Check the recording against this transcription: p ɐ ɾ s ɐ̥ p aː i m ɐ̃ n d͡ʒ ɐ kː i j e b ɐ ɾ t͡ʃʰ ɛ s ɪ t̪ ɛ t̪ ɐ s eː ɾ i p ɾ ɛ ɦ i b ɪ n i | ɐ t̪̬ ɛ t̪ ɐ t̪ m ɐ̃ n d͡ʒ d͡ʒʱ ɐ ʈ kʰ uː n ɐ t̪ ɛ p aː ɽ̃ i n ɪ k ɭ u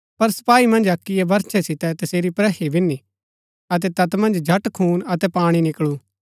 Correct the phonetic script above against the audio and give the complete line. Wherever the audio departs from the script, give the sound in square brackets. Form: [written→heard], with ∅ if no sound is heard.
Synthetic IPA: p ɐ ɾ s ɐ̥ p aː i m ɐ̃ n d͡ʒ ɐ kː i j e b ɐ ɾ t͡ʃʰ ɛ s ɪ t̪ ɛ t̪ ɐ s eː ɾ i p ɾ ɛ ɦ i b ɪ n i | ɐ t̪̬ ɛ t̪ ɐ t̪ m ɐ̃ n d͡ʒ d͡ʒʱ ɐ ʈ kʰ uː n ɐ t̪ ɛ p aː ɽ̃ i n ɪ k ɭ u